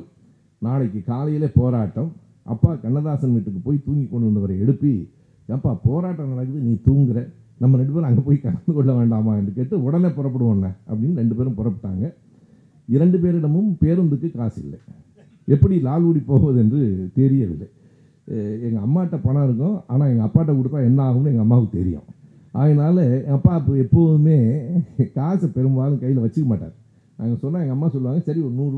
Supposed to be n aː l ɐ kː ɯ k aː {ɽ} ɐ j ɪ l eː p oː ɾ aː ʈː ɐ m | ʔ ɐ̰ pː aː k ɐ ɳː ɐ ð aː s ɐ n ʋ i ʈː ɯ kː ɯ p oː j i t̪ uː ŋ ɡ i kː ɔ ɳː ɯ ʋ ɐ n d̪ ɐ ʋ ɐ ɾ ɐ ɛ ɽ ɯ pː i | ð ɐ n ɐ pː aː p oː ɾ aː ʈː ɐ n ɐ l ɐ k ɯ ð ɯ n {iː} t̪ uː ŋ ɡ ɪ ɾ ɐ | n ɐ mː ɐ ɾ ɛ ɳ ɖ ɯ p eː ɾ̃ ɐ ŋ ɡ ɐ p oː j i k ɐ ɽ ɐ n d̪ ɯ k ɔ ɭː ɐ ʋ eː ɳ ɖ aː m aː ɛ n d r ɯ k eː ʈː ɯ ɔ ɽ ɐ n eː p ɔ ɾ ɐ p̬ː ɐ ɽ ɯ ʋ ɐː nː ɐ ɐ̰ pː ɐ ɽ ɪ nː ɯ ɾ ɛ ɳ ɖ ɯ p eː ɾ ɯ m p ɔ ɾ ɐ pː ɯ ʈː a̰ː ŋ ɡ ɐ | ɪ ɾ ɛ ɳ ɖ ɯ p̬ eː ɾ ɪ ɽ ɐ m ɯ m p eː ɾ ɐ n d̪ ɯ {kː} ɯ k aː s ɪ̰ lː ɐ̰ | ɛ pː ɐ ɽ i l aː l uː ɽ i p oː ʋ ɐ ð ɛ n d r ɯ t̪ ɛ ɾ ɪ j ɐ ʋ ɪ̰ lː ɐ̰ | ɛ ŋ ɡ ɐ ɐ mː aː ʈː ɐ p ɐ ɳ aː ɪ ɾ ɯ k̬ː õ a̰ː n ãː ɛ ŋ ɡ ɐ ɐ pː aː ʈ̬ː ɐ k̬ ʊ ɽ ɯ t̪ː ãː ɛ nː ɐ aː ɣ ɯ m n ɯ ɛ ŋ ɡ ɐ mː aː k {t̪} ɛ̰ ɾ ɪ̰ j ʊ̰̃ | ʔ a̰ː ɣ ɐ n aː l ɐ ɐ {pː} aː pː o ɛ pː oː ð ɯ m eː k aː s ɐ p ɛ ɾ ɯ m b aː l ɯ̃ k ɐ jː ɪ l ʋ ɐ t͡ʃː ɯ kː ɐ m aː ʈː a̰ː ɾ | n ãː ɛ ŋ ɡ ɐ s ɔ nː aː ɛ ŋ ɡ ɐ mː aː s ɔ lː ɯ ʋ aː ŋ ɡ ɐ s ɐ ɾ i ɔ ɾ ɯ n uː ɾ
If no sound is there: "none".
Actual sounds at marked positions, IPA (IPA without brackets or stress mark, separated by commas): l, iː, kː, t̪, pː